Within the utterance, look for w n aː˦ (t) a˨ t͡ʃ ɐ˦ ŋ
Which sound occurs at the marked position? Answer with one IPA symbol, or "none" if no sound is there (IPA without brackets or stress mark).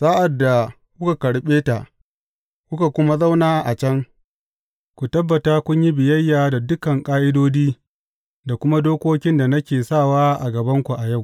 ʔ